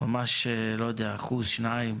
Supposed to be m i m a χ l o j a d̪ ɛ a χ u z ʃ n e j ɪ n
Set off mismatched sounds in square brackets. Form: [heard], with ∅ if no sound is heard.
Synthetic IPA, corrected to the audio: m [a] m a [ʃ] l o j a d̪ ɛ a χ u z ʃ n [a] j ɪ [m]